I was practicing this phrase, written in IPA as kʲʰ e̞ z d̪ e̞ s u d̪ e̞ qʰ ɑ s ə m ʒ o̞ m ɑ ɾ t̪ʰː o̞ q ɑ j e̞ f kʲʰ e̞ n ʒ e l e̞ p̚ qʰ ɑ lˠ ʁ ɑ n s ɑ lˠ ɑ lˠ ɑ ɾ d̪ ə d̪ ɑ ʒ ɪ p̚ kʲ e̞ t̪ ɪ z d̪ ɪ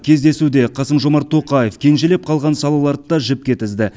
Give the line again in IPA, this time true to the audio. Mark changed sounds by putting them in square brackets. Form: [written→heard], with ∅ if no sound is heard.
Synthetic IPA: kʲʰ e̞ z d̪ e̞ s u d̪ e̞ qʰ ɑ s ə m ʒ o̞ m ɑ ɾ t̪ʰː o̞ q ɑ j e̞ f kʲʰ e̞ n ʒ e l e̞ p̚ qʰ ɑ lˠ ʁ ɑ n s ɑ lˠ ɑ lˠ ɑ ɾ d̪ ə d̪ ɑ ʒ ɪ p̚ kʲ e̞ t̪ ɪ z d̪ ɪ